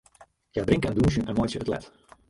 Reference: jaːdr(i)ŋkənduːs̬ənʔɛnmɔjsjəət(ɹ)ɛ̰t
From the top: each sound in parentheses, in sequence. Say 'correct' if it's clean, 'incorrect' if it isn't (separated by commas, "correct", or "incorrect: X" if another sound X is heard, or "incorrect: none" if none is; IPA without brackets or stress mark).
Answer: incorrect: ɪ, incorrect: l